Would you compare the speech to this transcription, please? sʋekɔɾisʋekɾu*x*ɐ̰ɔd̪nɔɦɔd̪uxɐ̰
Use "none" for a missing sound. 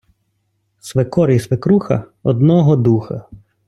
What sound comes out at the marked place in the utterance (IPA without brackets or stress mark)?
x